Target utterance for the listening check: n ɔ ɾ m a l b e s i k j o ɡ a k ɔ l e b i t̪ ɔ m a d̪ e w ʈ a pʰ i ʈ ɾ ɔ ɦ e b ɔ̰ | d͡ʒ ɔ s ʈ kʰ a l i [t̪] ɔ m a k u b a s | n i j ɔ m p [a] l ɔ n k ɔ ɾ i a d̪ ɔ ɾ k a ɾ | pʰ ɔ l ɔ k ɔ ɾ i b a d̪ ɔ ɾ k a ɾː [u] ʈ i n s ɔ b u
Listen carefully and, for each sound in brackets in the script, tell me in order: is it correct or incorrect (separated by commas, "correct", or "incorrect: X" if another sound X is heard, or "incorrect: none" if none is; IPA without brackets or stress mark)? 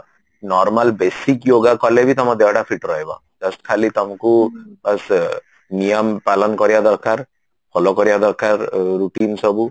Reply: correct, correct, correct